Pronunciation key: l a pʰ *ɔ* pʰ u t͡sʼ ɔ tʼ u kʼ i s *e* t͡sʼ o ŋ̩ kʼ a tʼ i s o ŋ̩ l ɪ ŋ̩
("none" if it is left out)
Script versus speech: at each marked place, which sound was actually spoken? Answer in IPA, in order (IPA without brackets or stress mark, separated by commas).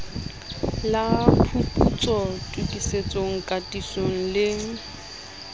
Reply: u, e